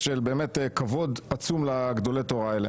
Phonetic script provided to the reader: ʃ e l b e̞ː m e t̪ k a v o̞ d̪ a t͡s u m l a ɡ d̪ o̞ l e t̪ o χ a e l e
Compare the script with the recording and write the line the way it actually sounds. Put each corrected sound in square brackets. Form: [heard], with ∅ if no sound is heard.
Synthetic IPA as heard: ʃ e l b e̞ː m e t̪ k a v o̞ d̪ a t͡s u m l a ɡ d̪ o̞ l e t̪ o [ʁ] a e l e